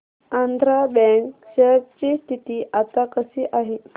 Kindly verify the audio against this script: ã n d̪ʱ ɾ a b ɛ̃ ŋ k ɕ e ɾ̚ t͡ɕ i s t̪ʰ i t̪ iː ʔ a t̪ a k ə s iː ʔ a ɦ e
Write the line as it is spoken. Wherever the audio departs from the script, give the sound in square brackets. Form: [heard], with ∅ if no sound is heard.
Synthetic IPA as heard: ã n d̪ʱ ɾ a b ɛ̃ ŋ k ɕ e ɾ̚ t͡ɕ i s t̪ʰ i t̪ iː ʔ a t̪ a k ə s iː ʔ a ɦ e

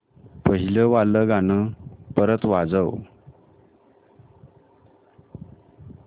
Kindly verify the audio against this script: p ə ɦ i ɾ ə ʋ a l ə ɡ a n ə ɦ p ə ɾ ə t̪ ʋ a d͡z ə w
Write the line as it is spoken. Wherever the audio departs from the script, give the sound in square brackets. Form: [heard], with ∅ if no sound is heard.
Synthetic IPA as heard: p ə ɦ i [l] ə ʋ a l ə ɡ a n ə [∅] p ə ɾ ə t̪ ʋ a d͡z ə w

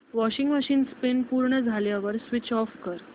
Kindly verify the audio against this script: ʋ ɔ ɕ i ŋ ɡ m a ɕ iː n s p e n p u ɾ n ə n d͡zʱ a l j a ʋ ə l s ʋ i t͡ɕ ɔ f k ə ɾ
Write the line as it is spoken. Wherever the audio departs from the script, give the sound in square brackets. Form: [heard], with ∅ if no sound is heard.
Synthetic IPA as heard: ʋ ɔ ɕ i ŋ ɡ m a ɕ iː n s p e n p u ɾ [ɳ] ə [∅] d͡zʱ a l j a ʋ ə [ɾ] s ʋ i t͡ɕ ɔ f k ə ɾ

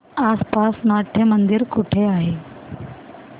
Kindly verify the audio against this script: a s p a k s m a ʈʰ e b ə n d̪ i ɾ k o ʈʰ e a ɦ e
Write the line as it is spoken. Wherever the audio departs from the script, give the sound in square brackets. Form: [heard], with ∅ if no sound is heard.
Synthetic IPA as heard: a s p a [∅] s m a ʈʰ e [m] ə n d̪ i ɾ k [u] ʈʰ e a ɦ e

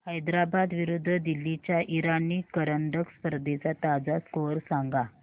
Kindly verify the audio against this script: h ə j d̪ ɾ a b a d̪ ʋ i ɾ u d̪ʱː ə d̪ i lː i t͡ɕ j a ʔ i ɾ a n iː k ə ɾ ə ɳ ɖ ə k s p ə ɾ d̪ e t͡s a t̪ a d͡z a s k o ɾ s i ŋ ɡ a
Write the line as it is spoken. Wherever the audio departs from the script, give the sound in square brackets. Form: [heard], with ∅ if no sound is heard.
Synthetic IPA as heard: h ə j d̪ ɾ a b a d̪ ʋ i ɾ u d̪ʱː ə d̪ i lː i t͡ɕ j a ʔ i ɾ a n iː k ə ɾ ə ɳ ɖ ə k s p ə ɾ d̪ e t͡s a t̪ a d͡z a s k o ɾ s [a] ŋ ɡ a

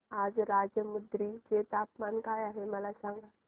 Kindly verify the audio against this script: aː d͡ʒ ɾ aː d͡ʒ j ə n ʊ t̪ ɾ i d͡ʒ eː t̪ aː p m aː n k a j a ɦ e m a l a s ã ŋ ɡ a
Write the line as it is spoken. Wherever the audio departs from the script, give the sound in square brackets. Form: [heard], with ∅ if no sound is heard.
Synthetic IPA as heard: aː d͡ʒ ɾ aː d͡ʒ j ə [m] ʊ [d̪] ɾ i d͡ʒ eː t̪ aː p m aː n k a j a ɦ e m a l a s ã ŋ ɡ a

